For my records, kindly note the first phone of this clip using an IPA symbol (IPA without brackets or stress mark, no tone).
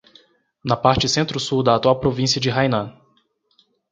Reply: n